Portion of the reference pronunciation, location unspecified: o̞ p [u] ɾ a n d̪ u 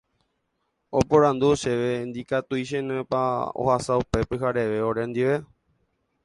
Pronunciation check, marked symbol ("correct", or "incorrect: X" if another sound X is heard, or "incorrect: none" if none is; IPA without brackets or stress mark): incorrect: o